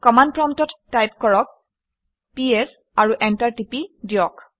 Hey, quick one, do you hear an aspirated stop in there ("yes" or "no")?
no